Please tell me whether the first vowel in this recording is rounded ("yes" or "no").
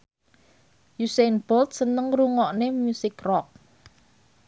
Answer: yes